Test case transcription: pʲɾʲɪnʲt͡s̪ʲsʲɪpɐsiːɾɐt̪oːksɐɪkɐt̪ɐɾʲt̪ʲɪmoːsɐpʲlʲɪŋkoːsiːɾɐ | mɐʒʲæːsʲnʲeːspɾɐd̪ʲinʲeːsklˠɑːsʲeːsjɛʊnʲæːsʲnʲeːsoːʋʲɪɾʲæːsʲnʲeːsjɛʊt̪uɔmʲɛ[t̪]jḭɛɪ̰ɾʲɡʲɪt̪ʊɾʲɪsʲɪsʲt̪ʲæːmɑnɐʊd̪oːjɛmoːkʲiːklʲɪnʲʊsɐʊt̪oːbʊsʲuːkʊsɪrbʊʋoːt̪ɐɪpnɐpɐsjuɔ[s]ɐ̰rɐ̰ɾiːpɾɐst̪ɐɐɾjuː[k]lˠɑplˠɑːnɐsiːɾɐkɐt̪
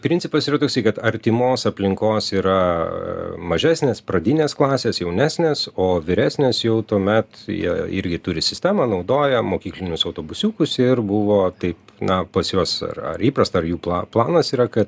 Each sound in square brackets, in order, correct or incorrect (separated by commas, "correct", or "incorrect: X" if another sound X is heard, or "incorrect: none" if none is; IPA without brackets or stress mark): correct, correct, incorrect: p